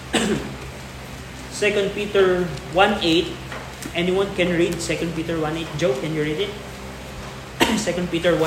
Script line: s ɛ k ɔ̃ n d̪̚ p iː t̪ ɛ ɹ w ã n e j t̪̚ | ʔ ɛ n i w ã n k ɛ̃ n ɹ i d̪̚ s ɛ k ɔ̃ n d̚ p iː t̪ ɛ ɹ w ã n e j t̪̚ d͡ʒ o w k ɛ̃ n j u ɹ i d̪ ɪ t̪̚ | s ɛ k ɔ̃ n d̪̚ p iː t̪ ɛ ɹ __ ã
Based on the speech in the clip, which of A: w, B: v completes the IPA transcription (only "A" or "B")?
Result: A